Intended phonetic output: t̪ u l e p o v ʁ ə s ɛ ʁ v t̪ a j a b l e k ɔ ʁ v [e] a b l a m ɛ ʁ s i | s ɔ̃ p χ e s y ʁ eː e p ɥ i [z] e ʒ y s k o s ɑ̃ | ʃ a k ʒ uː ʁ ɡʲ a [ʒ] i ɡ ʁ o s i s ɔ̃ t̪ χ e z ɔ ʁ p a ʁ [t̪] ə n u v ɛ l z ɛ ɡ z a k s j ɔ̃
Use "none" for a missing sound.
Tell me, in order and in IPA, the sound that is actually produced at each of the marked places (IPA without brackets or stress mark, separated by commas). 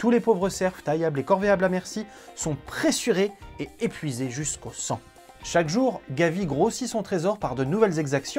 e, z, v, d̪